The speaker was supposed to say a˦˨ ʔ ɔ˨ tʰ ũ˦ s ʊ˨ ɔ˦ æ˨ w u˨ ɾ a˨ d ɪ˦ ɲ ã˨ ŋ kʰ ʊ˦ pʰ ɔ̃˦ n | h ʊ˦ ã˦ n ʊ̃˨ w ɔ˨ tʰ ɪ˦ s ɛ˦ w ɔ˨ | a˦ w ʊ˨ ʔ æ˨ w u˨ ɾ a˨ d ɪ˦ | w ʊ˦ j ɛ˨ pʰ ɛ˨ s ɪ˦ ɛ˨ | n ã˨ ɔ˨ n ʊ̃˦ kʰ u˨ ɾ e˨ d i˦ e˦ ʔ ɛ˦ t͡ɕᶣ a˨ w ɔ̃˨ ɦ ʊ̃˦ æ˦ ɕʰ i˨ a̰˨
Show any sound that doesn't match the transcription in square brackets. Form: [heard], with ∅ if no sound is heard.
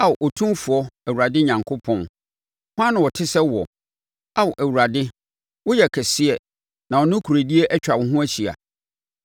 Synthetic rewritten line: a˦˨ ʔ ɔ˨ tʰ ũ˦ [f] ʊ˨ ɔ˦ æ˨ w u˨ ɾ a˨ d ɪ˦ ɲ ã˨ ŋ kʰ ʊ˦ pʰ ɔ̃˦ n | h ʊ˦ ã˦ n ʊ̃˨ w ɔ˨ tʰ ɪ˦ s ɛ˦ w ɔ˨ | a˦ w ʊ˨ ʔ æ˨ w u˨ ɾ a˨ d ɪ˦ | w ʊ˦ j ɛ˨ [kʰ] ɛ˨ s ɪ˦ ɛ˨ | n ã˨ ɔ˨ n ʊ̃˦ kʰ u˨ ɾ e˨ d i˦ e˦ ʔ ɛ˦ t͡ɕᶣ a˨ w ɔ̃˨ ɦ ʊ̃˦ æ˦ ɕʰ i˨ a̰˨